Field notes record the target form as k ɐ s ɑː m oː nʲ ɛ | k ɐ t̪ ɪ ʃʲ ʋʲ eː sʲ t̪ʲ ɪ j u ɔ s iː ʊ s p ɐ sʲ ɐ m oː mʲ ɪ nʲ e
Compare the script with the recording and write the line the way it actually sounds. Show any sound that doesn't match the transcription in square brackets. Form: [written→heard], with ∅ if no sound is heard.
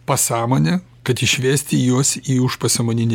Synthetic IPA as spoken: [k→p] ɐ s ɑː m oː nʲ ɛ | k ɐ t̪ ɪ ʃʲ ʋʲ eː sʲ t̪ʲ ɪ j u ɔ s iː ʊ [s→ʃ] p ɐ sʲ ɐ m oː [mʲ→nʲ] ɪ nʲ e